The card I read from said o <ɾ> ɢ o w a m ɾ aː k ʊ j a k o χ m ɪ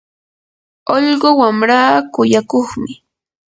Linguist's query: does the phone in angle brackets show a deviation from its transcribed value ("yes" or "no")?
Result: yes